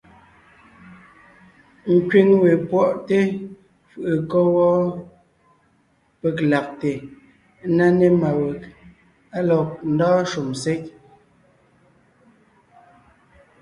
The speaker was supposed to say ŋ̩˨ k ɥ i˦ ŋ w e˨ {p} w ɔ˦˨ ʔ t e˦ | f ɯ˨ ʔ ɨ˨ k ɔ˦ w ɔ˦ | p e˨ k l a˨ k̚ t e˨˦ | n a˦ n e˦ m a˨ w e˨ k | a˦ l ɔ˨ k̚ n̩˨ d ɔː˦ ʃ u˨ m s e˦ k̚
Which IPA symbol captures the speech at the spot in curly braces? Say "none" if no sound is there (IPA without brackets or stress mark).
p